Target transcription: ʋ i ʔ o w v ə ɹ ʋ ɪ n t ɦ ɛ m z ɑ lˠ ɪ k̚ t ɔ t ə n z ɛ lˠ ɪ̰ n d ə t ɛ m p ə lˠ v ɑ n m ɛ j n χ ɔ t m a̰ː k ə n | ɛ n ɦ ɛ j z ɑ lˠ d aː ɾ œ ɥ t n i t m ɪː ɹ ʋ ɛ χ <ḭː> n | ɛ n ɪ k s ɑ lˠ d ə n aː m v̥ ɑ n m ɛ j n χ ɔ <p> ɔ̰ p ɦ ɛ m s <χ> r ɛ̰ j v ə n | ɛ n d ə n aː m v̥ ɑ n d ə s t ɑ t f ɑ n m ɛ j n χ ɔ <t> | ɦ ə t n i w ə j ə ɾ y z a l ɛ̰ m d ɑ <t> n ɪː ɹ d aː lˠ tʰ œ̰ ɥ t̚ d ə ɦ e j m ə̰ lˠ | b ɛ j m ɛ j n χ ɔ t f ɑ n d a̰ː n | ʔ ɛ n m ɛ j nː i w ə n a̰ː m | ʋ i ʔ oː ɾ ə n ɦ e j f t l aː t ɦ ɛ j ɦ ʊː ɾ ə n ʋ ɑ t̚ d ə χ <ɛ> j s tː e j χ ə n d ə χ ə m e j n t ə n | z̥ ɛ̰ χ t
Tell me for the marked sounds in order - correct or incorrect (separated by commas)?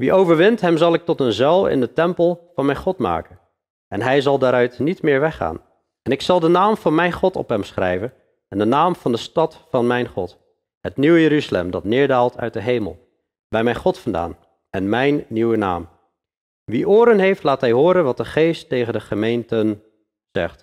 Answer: incorrect, incorrect, correct, correct, correct, incorrect